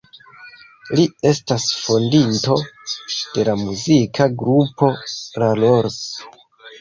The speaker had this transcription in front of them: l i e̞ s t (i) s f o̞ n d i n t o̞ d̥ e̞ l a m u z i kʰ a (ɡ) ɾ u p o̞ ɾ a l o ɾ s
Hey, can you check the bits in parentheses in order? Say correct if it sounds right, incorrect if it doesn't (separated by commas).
incorrect, correct